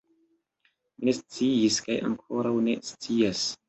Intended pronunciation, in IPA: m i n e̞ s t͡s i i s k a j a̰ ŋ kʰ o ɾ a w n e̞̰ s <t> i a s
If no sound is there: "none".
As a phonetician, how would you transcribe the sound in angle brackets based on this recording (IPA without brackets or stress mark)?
t͡s